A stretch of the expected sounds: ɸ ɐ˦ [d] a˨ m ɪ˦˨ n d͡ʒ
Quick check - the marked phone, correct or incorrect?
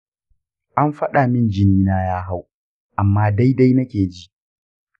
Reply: incorrect